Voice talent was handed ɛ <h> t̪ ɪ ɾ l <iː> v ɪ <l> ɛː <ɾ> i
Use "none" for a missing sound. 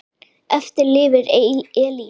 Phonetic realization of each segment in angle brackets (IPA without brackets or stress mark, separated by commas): f, ɪː, ɾ, l